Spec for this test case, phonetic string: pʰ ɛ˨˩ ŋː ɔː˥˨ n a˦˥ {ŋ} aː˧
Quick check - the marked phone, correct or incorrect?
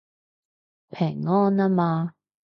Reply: incorrect